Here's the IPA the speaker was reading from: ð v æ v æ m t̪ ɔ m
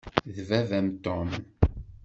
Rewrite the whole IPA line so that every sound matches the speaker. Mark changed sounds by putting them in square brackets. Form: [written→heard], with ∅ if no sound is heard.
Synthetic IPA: ð v æ v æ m t̪ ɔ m